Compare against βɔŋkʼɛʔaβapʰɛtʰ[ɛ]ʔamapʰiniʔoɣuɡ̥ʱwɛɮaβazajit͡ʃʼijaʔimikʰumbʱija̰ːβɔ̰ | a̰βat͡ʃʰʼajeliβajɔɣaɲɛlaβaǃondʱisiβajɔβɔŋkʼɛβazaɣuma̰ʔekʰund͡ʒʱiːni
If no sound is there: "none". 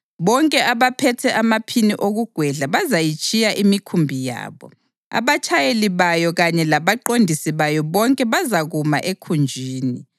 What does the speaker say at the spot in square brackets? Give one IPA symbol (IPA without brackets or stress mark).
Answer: ɛ